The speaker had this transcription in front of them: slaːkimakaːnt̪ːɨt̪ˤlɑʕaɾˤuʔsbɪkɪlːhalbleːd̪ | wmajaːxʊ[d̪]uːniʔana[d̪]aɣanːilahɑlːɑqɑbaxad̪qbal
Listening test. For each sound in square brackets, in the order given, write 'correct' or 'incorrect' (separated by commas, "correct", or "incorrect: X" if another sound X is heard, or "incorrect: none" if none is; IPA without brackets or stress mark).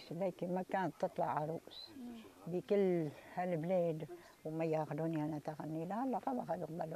correct, incorrect: t̪